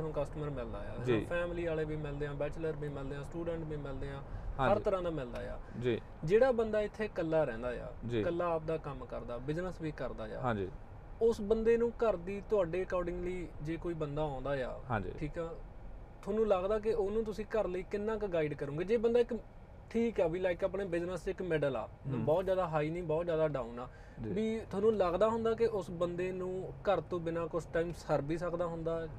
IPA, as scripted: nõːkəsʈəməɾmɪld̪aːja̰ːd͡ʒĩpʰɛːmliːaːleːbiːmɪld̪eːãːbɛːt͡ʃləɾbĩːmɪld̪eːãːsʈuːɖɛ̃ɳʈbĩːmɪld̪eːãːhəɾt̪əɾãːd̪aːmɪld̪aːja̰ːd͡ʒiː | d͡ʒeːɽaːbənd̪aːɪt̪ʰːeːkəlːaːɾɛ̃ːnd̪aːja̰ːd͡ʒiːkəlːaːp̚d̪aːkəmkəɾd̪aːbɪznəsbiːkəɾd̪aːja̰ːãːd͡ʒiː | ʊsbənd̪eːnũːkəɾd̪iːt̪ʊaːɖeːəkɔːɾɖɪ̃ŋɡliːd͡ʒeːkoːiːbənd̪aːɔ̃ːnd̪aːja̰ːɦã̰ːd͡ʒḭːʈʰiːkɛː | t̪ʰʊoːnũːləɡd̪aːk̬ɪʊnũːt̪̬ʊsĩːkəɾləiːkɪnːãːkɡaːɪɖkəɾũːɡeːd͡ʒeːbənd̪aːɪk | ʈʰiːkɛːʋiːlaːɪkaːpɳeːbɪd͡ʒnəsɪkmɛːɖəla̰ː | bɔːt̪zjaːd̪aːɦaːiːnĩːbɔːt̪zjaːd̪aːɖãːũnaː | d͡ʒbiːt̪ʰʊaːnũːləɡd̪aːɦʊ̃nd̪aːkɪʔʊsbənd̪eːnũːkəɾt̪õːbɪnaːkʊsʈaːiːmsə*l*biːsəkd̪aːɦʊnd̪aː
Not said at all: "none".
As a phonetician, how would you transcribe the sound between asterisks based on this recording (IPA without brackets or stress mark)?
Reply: ɾ